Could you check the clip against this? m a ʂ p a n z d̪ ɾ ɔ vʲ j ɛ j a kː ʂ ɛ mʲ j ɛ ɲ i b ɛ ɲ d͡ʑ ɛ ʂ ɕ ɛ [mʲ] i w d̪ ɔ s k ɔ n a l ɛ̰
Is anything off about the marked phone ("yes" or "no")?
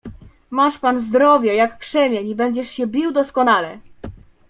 yes